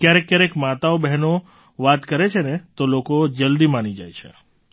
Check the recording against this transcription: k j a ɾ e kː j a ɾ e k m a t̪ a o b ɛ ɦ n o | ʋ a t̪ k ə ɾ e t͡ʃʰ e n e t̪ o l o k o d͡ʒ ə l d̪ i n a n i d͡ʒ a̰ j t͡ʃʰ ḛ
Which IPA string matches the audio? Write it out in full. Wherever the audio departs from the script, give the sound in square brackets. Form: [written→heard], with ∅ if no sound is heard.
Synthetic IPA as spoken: k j a ɾ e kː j a ɾ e k m a t̪ a o b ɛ ɦ n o | ʋ a t̪ k ə ɾ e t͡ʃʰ e n e t̪ o l o k o d͡ʒ ə l d̪ i [n→m] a n i d͡ʒ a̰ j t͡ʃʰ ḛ